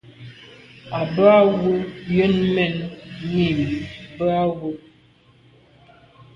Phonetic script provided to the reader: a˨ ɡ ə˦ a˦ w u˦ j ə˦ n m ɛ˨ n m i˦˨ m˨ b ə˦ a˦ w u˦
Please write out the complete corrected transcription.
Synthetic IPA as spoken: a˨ b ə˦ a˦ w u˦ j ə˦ n m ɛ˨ n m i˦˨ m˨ b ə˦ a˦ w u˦

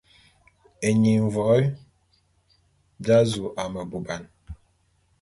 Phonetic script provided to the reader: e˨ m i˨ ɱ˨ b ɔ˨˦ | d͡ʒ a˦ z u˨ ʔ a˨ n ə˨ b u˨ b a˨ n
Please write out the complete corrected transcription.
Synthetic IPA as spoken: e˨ ɲ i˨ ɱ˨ v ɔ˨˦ | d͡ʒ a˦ z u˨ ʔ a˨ m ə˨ b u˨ b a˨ n

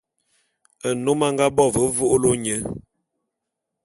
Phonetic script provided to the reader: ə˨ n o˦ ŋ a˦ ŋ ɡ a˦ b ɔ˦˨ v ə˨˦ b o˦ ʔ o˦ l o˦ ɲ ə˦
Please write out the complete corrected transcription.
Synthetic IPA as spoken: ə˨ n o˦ m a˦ ŋ ɡ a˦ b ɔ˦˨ v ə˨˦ v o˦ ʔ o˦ l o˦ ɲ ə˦

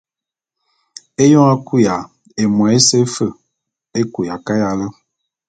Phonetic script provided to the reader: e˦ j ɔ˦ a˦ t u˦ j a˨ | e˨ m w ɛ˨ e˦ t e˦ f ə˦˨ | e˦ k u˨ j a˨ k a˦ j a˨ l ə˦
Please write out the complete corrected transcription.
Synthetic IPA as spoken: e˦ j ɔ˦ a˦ k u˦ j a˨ | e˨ m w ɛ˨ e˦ s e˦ f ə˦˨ | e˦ k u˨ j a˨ k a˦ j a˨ l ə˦

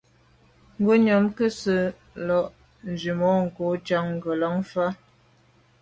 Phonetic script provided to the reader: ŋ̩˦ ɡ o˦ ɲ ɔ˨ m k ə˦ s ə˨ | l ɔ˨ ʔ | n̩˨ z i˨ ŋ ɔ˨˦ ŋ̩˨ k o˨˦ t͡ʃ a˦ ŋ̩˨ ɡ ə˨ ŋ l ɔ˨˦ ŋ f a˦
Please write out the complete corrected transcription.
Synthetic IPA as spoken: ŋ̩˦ ɡ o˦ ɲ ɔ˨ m k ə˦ s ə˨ | l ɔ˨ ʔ | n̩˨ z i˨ m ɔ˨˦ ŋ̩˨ k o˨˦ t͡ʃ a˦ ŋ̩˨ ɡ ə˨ l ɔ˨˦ ŋ f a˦

